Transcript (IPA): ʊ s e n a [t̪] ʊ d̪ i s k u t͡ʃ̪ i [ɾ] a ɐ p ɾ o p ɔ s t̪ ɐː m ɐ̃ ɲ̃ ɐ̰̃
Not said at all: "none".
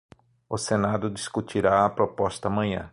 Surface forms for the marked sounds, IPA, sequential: d̪, ɾ

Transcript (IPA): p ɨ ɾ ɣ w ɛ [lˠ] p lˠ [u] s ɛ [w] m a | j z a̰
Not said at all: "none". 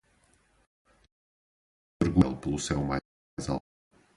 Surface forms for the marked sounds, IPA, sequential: lˠ, u, w

